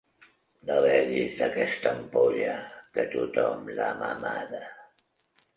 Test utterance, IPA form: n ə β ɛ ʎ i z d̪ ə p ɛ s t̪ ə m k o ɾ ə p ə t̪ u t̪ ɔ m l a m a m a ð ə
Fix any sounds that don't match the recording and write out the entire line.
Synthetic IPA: n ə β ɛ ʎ i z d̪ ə k ɛ s t̪ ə m p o ʎ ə k ə t̪ u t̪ ɔ m l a m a m a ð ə